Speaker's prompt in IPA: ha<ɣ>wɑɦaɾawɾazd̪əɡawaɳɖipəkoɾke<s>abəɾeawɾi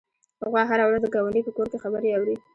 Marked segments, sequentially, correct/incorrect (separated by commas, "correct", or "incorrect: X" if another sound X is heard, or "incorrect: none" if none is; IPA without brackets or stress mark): correct, incorrect: x